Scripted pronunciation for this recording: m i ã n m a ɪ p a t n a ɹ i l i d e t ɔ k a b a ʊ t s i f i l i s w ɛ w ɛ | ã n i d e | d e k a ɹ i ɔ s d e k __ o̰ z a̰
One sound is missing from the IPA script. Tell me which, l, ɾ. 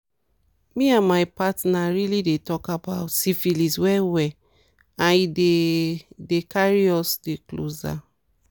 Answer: l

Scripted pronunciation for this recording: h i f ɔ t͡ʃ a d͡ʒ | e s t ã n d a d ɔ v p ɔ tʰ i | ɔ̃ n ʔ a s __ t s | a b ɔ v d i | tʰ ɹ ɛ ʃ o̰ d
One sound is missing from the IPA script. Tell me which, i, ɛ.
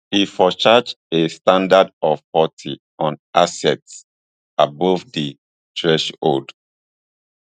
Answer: ɛ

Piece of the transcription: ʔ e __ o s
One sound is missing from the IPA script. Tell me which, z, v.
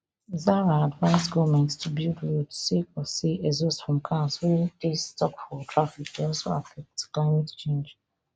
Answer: z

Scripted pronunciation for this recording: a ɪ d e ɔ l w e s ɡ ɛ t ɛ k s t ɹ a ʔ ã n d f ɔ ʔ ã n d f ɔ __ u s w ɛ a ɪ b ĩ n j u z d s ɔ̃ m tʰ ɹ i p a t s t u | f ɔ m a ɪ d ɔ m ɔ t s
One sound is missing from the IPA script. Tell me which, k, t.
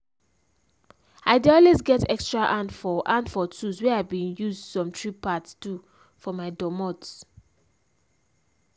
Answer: t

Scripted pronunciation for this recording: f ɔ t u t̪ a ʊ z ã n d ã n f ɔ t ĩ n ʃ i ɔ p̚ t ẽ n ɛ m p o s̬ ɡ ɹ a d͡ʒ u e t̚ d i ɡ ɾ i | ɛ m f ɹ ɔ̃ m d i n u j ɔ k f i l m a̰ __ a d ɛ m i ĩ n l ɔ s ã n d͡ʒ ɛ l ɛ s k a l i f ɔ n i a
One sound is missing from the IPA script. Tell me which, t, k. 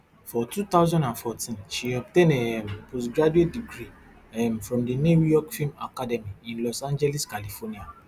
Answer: k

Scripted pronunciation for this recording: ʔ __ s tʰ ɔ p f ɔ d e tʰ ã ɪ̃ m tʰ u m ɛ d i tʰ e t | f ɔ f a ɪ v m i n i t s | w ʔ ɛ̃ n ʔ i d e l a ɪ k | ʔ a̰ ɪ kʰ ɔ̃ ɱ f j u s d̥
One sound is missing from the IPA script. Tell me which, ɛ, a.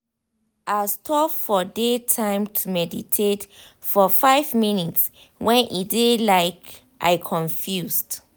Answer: a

